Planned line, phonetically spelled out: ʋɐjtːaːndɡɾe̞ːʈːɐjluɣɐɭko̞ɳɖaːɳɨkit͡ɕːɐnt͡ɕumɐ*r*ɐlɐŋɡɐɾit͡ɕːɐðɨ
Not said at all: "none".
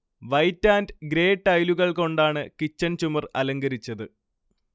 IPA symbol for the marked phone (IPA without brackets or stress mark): r